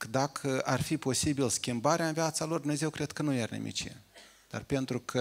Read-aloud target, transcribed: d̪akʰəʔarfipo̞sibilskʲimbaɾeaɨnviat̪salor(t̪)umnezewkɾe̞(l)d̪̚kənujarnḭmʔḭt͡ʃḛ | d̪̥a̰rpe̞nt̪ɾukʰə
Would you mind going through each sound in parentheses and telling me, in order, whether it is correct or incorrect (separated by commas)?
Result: incorrect, incorrect